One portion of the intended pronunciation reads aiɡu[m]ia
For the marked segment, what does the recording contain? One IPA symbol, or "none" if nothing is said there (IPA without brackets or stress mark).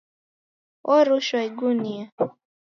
n